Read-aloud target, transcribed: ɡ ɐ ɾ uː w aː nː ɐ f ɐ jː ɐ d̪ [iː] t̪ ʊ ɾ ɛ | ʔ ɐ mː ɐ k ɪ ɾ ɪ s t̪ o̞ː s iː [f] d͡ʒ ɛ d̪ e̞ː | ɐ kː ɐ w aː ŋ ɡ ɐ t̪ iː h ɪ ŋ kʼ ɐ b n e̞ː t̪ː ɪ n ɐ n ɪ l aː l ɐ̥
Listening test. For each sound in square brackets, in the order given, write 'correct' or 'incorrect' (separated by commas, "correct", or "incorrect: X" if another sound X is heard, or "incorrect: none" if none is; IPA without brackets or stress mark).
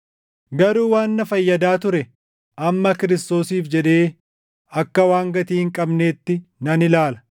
incorrect: aː, correct